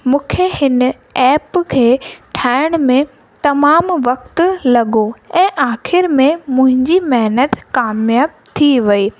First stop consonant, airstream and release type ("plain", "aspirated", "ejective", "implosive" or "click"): aspirated